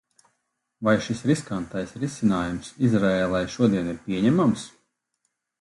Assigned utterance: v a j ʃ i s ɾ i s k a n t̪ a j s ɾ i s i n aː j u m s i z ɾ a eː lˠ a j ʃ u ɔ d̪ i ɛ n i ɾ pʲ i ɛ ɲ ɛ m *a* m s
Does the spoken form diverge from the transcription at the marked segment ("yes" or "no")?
no